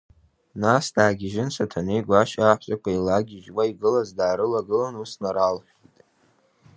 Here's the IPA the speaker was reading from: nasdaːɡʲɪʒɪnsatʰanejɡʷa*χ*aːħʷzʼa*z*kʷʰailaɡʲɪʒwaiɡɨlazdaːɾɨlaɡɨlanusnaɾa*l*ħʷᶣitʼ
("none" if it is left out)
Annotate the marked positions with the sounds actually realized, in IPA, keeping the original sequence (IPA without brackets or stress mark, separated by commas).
ʃ, none, l